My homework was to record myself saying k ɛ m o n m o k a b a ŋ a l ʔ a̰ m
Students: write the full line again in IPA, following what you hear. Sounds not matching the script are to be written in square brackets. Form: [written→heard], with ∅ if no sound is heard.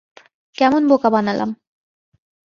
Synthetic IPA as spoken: k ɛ m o n [m→b] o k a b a [ŋ→n] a l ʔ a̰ m